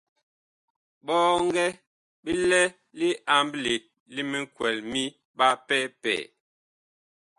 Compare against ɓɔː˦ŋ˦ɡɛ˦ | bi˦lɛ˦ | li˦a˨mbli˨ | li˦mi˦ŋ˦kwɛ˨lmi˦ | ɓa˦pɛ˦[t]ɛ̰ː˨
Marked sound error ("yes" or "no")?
yes